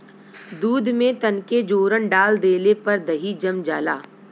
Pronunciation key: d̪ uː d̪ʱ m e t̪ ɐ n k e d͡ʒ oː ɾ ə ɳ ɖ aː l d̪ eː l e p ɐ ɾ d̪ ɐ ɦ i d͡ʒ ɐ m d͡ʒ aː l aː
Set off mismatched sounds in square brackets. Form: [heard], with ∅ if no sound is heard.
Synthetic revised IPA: d̪ uː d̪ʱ m [ẽ] t̪ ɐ n k e d͡ʒ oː ɾ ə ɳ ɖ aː l d̪ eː l e p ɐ ɾ d̪ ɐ ɦ i d͡ʒ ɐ m d͡ʒ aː l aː